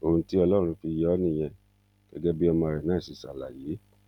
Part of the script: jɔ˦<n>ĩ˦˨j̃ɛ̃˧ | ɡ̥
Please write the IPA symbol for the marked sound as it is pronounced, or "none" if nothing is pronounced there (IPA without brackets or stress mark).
n